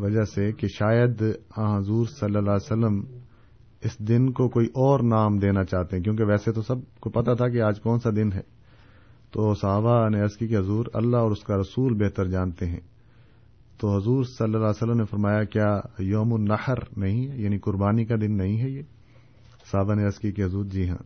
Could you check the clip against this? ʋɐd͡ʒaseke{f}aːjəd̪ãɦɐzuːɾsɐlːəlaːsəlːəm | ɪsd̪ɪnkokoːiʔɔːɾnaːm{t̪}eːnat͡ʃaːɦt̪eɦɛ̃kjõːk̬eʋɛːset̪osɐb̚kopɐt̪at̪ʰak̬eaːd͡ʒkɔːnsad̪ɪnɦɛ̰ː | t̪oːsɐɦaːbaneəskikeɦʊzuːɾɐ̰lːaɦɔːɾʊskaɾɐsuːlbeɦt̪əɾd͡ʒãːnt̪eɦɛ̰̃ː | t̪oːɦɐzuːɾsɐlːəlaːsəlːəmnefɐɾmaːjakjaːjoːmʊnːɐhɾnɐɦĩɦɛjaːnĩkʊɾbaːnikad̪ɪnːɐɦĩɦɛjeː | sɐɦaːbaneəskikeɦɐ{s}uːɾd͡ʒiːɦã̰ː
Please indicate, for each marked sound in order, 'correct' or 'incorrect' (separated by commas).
incorrect, incorrect, incorrect